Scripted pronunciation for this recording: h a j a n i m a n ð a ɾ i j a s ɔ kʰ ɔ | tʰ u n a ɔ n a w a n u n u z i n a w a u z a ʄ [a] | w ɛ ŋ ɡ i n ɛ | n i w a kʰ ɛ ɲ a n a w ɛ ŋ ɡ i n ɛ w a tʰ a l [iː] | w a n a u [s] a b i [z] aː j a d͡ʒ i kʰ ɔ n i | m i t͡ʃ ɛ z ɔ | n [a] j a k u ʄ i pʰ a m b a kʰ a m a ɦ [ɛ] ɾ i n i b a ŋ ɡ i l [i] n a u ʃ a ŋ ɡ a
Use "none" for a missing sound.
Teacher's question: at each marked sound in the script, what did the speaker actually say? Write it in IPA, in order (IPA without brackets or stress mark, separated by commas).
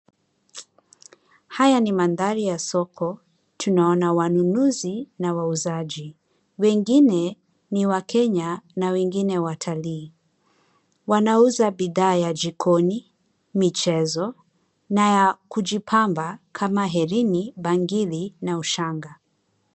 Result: i, iː, z, ð, a, ɛ, i